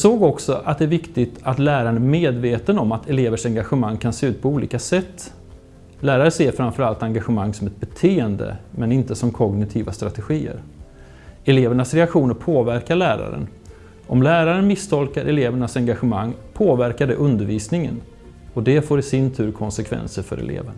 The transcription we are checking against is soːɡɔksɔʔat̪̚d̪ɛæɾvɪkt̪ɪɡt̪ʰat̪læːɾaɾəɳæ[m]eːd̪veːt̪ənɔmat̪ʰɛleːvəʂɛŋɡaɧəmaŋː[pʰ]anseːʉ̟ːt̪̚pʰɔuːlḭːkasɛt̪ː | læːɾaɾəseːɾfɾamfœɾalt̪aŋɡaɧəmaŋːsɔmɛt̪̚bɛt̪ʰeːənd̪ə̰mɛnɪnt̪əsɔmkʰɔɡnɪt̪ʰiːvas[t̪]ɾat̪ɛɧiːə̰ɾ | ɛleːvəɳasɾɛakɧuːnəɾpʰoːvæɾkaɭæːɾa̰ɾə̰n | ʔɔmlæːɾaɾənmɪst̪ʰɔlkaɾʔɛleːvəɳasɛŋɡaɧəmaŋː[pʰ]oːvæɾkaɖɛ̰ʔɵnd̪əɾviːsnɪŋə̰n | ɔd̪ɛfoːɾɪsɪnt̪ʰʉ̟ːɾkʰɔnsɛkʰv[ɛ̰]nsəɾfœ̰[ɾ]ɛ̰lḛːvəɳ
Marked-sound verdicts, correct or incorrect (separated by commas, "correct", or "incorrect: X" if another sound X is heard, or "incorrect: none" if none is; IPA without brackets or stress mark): correct, incorrect: kʰ, correct, correct, correct, correct